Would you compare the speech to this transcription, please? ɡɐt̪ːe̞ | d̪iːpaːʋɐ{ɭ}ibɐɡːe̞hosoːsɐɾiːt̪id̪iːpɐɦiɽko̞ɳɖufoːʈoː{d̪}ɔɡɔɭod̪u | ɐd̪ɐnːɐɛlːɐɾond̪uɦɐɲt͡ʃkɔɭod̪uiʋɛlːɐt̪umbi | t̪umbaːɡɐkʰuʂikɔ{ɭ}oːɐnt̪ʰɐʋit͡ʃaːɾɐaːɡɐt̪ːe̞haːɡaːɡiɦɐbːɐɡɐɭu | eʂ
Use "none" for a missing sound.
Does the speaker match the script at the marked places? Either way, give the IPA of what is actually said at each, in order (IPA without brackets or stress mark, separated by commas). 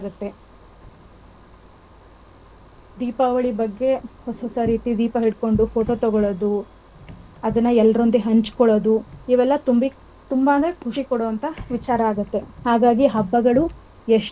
ɭ, t̪, ɽ